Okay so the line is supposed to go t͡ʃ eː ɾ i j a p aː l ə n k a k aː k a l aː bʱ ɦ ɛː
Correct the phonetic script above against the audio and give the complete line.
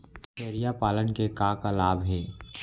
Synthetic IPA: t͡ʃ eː ɾ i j a p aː l ə n k e k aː k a l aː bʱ ɦ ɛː